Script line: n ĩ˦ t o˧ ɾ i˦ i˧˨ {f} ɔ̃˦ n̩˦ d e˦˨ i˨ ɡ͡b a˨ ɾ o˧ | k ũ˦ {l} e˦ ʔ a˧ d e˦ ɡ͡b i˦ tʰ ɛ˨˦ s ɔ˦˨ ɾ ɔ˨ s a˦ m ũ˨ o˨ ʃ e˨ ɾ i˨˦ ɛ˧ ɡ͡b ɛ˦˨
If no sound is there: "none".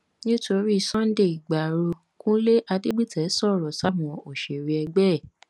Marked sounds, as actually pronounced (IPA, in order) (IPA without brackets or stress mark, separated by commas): s, l